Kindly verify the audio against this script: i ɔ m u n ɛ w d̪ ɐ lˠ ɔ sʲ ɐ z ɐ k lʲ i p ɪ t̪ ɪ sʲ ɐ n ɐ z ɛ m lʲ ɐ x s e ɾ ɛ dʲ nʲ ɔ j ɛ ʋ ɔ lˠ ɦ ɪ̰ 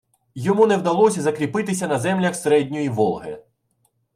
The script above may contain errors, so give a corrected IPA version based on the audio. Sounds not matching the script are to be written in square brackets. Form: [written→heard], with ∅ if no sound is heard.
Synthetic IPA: [i→j] ɔ m u n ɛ w d̪ ɐ lˠ ɔ sʲ ɐ z ɐ k [lʲ→ɾʲ] i p ɪ t̪ ɪ sʲ ɐ n ɐ z ɛ m lʲ ɐ x s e ɾ ɛ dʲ nʲ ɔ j [ɛ→i] ʋ ɔ lˠ ɦ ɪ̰